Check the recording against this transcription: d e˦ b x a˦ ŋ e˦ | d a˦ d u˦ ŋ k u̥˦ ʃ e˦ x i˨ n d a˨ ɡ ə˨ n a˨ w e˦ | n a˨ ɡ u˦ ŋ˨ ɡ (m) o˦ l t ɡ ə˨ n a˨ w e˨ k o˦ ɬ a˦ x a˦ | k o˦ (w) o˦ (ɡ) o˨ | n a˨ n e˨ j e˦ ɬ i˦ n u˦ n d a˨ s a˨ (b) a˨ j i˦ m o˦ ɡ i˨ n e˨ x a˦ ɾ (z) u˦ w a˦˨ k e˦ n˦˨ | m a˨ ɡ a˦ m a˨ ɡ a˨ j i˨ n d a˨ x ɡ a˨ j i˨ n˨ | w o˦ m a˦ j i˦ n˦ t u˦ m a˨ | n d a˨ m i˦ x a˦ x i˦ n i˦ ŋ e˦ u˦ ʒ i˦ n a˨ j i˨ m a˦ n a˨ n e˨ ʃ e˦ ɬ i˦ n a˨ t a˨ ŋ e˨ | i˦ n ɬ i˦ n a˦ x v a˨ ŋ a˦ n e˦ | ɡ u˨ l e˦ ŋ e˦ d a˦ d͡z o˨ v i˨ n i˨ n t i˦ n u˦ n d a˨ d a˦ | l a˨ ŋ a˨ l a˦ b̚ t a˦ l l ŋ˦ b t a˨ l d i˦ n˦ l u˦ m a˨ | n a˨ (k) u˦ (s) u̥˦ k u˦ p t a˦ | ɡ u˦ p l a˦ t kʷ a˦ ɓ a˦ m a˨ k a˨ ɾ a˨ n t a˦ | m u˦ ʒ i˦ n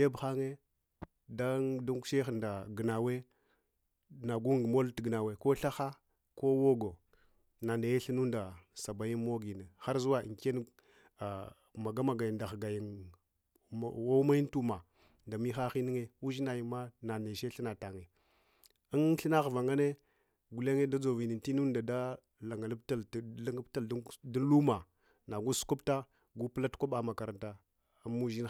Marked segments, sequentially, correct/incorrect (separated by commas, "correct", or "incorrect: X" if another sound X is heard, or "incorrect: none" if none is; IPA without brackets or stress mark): correct, correct, correct, correct, correct, incorrect: ɡ, correct